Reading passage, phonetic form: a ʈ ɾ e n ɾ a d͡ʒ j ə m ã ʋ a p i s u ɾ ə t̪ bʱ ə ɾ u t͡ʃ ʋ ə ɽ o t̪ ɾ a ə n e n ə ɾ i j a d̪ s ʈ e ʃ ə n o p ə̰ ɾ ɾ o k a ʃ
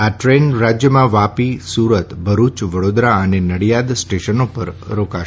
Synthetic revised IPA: a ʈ ɾ e n ɾ a d͡ʒ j ə m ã ʋ a p i s u ɾ ə t̪ bʱ ə ɾ u t͡ʃ ʋ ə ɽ o d̪ ɾ a ə n e n ə ɽ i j a d̪ s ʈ e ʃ ə n o p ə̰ ɾ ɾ o k a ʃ